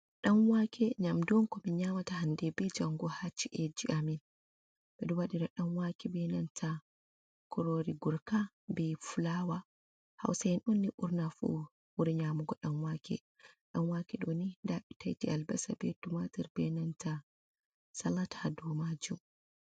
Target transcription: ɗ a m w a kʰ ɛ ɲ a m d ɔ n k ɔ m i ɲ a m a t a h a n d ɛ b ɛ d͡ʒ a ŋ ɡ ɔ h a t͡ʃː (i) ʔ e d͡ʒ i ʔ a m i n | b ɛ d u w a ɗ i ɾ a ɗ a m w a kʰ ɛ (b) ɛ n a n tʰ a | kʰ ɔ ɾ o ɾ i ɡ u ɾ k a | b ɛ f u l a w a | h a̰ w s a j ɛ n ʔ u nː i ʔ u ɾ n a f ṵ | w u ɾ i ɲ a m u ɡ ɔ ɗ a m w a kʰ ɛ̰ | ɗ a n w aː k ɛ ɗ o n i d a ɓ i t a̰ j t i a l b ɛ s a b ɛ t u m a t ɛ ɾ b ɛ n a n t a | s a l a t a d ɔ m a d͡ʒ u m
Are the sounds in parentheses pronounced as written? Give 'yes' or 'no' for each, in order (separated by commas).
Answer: yes, yes